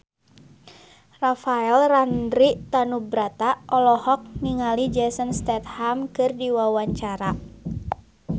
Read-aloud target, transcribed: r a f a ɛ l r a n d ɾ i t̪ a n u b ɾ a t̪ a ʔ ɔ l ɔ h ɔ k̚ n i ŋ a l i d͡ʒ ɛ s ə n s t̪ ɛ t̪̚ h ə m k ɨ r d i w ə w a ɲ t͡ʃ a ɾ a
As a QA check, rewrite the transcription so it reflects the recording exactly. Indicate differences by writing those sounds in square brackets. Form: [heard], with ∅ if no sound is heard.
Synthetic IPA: r a f a ɛ l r a n d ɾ i t̪ a n u b ɾ a t̪ a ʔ ɔ l ɔ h ɔ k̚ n i ŋ a l i d͡ʒ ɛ s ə n s t̪ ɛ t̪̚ h [a] m k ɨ r d i w [a] w a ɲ t͡ʃ a ɾ a